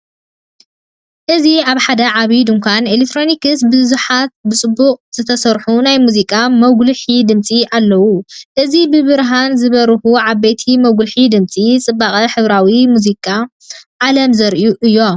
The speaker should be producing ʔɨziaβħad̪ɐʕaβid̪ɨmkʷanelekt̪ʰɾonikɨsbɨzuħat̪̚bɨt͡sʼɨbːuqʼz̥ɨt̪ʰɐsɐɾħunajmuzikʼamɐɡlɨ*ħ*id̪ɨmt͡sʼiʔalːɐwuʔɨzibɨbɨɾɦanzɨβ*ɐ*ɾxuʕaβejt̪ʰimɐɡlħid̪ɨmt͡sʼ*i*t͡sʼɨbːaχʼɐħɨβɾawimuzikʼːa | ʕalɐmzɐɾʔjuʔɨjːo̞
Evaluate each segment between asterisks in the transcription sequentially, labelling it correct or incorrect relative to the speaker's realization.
correct, correct, correct

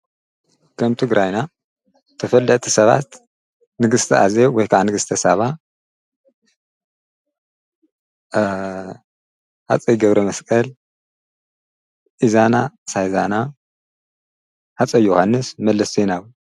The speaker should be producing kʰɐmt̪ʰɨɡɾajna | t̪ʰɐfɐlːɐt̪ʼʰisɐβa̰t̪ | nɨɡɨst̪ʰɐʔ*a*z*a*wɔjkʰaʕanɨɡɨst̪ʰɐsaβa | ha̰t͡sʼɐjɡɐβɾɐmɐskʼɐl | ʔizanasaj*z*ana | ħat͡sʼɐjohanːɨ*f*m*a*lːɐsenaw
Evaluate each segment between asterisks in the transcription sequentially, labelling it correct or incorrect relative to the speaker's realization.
correct, incorrect: e, correct, incorrect: s, incorrect: ɐ

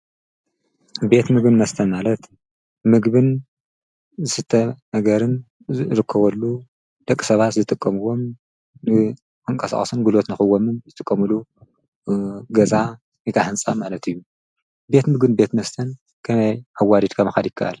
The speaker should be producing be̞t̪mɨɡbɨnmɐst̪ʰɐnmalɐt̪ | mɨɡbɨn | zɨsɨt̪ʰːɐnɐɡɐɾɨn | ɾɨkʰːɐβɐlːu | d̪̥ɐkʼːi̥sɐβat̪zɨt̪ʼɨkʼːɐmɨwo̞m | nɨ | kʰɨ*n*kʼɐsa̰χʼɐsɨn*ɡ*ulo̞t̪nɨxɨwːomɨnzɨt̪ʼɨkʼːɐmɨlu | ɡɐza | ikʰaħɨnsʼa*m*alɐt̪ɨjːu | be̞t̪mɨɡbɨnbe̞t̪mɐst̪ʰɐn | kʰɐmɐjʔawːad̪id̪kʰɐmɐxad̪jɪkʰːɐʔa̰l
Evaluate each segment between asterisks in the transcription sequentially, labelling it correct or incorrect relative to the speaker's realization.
incorrect: ŋ, correct, correct

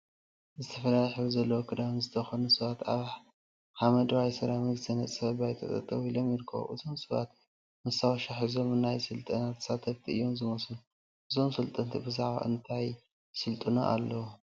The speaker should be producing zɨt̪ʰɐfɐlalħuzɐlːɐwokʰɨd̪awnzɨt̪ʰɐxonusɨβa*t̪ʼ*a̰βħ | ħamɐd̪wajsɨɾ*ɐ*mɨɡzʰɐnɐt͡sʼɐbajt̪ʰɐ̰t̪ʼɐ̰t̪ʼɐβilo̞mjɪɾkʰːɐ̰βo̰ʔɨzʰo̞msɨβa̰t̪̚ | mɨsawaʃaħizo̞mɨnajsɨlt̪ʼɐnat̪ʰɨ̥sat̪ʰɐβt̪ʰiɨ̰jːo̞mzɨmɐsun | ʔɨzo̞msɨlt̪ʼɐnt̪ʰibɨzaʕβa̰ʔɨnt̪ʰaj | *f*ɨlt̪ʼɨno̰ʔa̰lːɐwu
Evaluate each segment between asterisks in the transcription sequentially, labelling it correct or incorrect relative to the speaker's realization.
incorrect: t̪, incorrect: a, incorrect: s

